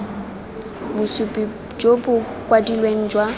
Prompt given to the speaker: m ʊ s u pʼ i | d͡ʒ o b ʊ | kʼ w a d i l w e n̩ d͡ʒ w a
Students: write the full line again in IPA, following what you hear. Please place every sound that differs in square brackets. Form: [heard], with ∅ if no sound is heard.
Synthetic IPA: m ʊ s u pʼ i | d͡ʒ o b ʊ | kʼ w a d i l w e [ŋ̩] d͡ʒ w a